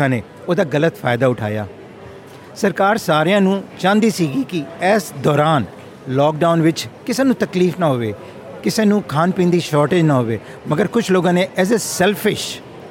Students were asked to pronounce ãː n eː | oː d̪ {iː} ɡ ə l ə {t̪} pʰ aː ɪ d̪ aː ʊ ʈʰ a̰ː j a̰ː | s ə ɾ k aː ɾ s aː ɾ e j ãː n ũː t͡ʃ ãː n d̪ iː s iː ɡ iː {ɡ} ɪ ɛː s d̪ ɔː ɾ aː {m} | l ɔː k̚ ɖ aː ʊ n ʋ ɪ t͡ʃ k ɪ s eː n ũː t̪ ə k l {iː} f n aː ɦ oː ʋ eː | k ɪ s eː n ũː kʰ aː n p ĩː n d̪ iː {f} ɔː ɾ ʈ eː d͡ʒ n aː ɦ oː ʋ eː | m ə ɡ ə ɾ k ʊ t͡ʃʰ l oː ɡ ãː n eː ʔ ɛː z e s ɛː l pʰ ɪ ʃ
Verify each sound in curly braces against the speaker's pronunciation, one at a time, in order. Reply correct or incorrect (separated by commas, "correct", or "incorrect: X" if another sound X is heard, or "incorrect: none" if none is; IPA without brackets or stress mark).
incorrect: aː, correct, incorrect: k, incorrect: n, correct, incorrect: ʃ